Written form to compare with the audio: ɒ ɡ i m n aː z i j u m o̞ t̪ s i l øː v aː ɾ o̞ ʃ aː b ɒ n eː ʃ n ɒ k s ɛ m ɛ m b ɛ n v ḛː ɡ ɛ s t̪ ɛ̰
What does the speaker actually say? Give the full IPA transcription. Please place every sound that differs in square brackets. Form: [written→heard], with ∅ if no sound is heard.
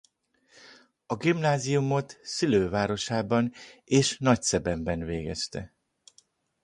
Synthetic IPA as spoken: ɒ ɡ i m n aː z i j u m o̞ t̪ s i l øː v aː ɾ o̞ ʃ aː b ɒ n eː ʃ n ɒ [k→c] s ɛ [m→b] ɛ m b ɛ n v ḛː ɡ ɛ s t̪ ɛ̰